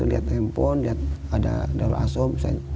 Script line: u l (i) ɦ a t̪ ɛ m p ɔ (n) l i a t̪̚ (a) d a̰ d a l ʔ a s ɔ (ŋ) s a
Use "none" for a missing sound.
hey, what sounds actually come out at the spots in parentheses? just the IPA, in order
i, n, a, m

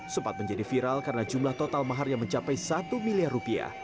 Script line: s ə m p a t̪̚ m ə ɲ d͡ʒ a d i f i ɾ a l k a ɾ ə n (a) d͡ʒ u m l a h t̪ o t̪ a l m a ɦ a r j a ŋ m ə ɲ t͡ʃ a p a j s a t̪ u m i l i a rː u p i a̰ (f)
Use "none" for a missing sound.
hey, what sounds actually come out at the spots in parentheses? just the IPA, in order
a, h

